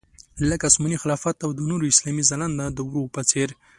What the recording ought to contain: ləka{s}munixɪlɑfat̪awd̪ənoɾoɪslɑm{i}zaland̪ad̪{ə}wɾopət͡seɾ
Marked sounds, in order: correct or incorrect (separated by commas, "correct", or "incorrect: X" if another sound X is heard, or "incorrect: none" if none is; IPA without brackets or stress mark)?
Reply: correct, correct, correct